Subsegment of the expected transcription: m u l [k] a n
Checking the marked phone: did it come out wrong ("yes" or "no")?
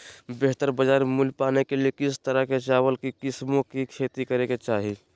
yes